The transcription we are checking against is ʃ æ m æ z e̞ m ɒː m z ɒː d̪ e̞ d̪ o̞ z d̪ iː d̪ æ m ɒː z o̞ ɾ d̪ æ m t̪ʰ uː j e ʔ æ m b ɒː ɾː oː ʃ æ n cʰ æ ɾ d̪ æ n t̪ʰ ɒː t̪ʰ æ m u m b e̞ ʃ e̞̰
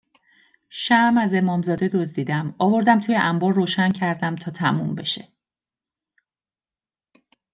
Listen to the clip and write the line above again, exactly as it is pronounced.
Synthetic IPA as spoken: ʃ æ m æ z e̞ m ɒː m z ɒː d̪ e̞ d̪ o̞ z d̪ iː d̪ æ m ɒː v o̞ ɾ d̪ æ m t̪ʰ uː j e ʔ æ m b ɒː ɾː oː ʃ æ n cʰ æ ɾ d̪ æ m t̪ʰ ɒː t̪ʰ æ m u m b e̞ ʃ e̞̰